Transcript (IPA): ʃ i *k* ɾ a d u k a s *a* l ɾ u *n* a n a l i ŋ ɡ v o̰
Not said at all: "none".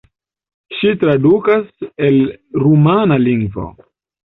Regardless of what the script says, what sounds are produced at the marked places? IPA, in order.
t, e, m

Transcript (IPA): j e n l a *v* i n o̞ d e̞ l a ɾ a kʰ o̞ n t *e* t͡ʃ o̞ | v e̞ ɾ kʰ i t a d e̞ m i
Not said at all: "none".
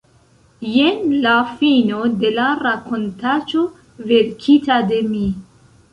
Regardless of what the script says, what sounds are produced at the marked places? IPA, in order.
f, a

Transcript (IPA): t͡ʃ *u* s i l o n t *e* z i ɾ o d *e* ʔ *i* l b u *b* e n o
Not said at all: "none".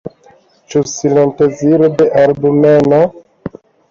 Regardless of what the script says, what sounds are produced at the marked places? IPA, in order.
u, e, e, a, m

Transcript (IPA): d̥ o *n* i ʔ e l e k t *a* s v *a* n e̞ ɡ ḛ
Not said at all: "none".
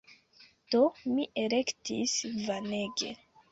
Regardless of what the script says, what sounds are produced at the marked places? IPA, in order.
m, i, a

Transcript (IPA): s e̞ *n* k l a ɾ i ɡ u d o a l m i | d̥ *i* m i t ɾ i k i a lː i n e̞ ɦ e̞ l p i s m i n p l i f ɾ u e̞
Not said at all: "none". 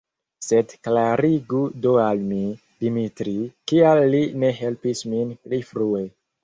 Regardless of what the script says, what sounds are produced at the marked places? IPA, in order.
d, i

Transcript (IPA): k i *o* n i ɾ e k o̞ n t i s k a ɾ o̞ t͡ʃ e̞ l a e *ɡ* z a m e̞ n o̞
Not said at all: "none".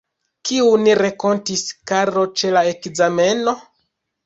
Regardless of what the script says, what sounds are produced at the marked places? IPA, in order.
u, k

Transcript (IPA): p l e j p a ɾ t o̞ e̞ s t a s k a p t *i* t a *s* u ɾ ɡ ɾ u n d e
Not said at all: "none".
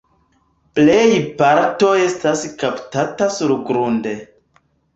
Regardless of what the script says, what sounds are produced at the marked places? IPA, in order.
a, s

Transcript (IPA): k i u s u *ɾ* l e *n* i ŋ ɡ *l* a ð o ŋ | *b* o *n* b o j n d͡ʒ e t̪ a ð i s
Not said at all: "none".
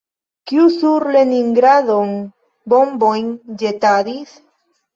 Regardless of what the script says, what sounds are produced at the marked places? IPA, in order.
ɾ, n, ɾ, b, m

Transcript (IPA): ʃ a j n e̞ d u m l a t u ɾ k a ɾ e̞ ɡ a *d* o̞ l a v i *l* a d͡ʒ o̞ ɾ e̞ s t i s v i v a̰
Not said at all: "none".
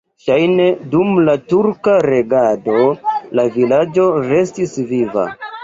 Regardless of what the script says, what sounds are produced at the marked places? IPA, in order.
d, l

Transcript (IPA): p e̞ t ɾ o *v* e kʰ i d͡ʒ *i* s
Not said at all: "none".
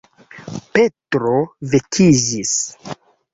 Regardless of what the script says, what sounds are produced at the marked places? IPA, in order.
v, i

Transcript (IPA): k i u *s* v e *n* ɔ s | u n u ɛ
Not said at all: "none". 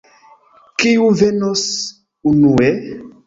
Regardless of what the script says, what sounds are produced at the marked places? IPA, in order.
none, n

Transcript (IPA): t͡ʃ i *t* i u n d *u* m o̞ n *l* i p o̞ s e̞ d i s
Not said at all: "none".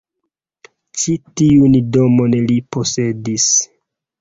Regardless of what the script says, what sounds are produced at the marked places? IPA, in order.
t, o, l

